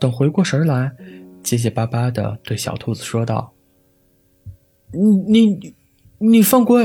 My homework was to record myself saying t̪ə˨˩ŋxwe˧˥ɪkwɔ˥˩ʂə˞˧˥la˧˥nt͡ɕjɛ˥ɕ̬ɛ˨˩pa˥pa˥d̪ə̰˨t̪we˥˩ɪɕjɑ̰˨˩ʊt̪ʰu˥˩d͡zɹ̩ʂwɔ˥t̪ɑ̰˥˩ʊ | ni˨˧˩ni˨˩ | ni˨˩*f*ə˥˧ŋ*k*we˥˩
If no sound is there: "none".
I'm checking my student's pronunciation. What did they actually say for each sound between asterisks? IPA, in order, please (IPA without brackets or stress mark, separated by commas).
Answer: f, k